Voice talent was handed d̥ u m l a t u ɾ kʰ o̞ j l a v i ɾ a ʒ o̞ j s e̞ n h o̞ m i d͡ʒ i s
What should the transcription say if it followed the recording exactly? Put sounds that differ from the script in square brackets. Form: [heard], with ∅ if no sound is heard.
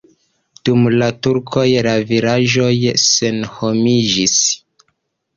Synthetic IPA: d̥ u m l a t u ɾ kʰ o̞ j l a v i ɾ a ʒ o̞ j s e̞ n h o̞ m i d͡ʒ i s